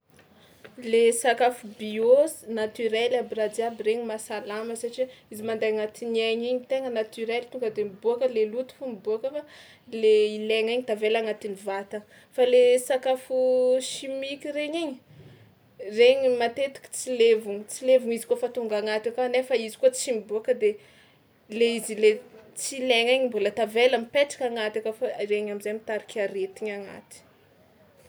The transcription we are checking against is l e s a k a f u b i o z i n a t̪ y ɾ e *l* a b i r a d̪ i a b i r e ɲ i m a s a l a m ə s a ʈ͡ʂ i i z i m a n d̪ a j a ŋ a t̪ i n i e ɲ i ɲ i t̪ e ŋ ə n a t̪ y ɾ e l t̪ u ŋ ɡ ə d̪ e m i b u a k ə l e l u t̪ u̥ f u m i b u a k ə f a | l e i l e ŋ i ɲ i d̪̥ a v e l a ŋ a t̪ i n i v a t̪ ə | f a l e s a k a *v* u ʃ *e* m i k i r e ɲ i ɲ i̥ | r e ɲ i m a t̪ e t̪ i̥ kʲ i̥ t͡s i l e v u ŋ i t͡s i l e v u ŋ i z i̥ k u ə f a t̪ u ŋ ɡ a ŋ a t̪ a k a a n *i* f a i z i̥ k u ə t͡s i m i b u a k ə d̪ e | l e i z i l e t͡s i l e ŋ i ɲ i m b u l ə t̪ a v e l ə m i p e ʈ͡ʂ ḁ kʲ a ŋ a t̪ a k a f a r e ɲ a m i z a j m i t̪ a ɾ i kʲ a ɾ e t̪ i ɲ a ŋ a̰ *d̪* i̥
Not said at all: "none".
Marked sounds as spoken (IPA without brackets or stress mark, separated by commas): l, f, i, e, t̪